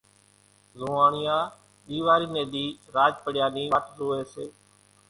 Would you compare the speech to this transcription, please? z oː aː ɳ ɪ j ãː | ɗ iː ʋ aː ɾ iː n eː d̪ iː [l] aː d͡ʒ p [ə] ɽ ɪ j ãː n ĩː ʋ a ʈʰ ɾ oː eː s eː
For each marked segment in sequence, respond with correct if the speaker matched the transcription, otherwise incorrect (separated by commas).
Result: incorrect, correct